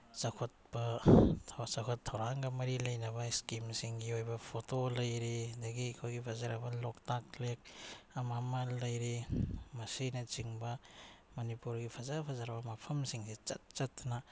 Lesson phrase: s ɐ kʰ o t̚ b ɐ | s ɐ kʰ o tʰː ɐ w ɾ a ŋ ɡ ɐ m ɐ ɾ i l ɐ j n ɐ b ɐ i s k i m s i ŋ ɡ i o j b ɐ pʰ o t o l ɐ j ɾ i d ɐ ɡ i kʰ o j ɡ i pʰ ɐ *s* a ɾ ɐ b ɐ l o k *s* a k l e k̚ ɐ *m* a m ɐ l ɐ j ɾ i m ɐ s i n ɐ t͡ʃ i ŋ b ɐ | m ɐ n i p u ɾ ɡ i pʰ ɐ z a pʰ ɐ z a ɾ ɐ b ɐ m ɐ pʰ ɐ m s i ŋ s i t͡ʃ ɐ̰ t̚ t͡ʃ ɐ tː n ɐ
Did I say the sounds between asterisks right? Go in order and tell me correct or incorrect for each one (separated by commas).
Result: incorrect, incorrect, correct